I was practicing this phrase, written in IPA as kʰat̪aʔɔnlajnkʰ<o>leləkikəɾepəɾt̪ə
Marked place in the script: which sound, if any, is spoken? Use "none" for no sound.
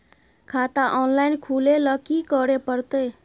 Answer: u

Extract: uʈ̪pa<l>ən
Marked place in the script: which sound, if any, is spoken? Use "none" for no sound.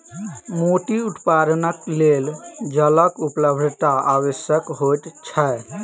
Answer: ɾ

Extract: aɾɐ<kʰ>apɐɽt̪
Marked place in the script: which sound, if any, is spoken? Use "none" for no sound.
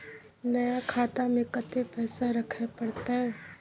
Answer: kʰ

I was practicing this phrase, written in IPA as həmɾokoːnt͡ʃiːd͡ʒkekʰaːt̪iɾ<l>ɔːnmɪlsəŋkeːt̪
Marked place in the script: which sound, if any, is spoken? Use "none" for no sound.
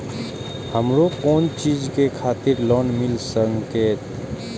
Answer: l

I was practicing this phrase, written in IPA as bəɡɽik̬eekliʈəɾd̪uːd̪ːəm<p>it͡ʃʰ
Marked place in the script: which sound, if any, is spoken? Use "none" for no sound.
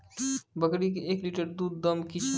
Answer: k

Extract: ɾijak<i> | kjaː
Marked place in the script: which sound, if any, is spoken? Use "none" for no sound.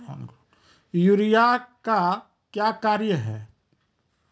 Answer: a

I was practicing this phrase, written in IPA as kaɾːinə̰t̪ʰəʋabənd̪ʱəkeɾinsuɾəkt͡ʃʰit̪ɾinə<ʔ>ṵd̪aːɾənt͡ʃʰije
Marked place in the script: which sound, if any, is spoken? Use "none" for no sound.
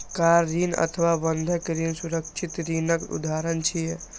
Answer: k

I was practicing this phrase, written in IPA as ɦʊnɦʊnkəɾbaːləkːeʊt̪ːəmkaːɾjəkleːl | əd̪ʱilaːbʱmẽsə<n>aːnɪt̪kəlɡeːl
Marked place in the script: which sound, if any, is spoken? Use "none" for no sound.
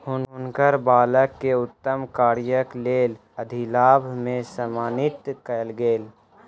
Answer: m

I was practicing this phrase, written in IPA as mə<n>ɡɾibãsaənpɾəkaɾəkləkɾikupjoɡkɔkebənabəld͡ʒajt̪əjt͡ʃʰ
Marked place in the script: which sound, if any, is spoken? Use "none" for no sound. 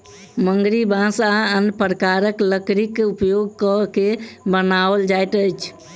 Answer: ŋ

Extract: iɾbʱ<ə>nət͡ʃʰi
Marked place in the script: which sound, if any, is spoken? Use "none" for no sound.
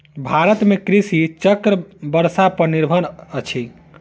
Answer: ə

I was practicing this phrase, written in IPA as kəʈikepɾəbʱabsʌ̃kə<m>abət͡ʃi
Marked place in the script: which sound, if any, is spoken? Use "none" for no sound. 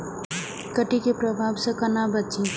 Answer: n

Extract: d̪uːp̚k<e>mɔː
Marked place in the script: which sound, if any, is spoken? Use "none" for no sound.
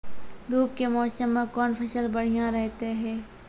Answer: e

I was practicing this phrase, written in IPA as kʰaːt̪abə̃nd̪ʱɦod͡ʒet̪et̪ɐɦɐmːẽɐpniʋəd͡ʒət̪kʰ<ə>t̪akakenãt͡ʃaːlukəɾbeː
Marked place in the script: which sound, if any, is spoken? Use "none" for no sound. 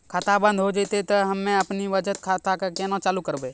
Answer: a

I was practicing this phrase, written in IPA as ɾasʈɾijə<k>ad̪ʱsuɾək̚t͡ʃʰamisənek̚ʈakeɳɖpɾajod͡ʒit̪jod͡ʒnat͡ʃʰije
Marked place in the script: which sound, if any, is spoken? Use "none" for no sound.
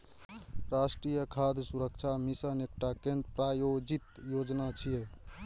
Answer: kʰ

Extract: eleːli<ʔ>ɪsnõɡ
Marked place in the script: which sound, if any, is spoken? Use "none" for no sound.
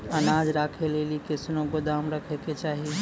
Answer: k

